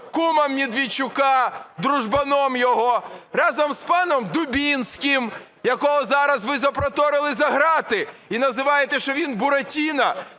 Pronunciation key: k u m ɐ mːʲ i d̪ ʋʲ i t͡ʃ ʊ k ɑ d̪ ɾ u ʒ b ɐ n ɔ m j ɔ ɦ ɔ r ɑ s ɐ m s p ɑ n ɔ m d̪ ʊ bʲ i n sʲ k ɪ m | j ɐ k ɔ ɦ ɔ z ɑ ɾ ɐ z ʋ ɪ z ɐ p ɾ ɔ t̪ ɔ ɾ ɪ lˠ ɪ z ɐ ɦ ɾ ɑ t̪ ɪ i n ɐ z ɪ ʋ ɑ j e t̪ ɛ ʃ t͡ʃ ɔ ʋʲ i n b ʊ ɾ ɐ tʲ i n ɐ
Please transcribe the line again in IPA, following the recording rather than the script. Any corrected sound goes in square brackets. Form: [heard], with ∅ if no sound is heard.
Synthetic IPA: k u m ɐ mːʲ i d̪ ʋʲ i t͡ʃ ʊ k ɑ d̪ ɾ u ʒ b ɐ n ɔ m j ɔ ɦ ɔ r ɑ [z] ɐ m s p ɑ n ɔ m d̪ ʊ bʲ i n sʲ k ɪ m | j ɐ k ɔ ɦ ɔ z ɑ ɾ ɐ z ʋ ɪ z ɐ p ɾ ɔ t̪ ɔ ɾ ɪ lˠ ɪ z ɐ ɦ ɾ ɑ t̪ ɪ i n ɐ z ɪ ʋ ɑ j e t̪ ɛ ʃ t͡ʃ ɔ ʋʲ i n b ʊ ɾ ɐ tʲ i n ɐ